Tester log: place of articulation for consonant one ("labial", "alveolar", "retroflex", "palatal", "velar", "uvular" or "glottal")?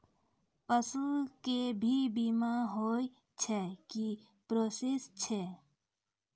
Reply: labial